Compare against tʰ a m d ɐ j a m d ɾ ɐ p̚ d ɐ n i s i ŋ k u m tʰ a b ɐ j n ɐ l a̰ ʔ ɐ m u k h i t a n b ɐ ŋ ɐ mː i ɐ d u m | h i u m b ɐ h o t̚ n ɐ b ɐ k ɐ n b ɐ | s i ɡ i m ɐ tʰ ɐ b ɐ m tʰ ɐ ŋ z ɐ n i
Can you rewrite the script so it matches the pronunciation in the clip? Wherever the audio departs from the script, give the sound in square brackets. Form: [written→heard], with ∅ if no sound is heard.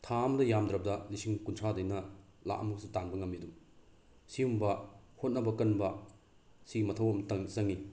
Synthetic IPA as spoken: tʰ a m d ɐ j a m d ɾ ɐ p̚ d ɐ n i s i ŋ k u [m→n] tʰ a [b→d] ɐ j n ɐ l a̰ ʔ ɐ m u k [h→s] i t a n b ɐ ŋ ɐ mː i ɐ d u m | [h→s] i u m b ɐ h o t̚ n ɐ b ɐ k ɐ n b ɐ | s i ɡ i m ɐ tʰ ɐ [b→w] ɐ m [tʰ→t] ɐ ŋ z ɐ [n→ŋ] i